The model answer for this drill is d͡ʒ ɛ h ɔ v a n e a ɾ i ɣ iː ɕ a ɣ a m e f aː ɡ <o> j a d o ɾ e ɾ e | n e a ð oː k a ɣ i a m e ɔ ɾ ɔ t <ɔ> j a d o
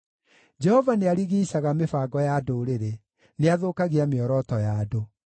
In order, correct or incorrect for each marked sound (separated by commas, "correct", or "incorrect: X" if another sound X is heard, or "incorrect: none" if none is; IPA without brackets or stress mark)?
incorrect: ɔ, correct